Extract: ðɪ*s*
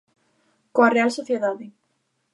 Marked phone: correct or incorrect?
incorrect